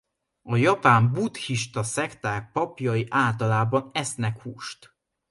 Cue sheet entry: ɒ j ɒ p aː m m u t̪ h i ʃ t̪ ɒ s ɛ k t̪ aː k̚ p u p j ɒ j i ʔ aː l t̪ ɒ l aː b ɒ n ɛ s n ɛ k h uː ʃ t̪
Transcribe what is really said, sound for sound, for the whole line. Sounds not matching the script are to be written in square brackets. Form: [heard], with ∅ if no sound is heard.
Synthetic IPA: ɒ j ɒ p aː m [b] u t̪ h i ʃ t̪ ɒ s ɛ k t̪ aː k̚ p [ɒ] p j ɒ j i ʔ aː l t̪ ɒ l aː b ɒ n ɛ s n ɛ k h uː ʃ t̪